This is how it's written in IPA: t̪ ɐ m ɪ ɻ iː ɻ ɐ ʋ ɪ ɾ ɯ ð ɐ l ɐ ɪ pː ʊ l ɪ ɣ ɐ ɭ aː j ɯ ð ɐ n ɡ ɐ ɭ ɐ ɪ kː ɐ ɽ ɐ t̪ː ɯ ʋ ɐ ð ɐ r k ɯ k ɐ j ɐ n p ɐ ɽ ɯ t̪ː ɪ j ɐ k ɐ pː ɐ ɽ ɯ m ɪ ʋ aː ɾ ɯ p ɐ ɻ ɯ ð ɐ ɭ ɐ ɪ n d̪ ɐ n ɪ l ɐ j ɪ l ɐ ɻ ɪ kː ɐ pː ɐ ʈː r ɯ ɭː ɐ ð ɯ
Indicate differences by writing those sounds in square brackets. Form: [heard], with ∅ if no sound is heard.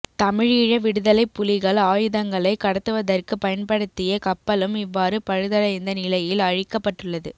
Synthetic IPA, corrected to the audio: t̪ ɐ m ɪ ɻ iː ɻ ɐ ʋ ɪ [ɽ] ɯ ð ɐ l ɐ ɪ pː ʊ l ɪ ɣ ɐ ɭ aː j ɯ ð ɐ [ŋ] ɡ ɐ ɭ ɐ ɪ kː ɐ ɽ ɐ t̪ː ɯ ʋ ɐ ð ɐ r k ɯ [p] ɐ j ɐ n p ɐ ɽ ɯ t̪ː ɪ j ɐ k ɐ pː ɐ [l] ɯ m ɪ [ʋː] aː ɾ ɯ p ɐ ɻ ɯ ð ɐ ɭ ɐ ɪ n d̪ ɐ n ɪ l ɐ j ɪ l ɐ ɻ ɪ kː ɐ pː ɐ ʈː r ɯ ɭː ɐ ð ɯ